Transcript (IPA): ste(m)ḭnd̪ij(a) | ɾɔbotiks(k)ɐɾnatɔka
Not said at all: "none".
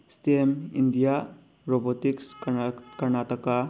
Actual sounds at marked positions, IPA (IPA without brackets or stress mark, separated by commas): m, a, k